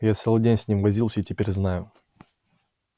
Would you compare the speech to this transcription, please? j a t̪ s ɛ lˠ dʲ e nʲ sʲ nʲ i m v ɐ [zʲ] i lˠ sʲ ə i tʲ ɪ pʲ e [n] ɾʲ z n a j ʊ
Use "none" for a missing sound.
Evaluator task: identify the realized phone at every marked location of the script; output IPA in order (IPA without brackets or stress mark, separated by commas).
zʲ, none